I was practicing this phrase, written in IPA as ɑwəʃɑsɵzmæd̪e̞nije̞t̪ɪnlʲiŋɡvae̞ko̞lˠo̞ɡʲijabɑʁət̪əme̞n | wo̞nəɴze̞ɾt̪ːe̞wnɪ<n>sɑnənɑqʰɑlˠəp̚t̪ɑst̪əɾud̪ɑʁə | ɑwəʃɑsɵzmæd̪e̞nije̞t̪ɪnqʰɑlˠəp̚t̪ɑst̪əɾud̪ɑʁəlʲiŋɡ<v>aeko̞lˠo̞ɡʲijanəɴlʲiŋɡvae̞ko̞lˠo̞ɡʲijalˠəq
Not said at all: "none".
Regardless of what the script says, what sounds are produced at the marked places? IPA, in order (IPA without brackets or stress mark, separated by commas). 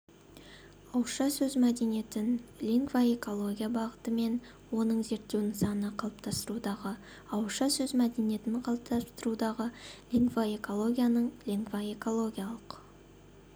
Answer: ŋ, v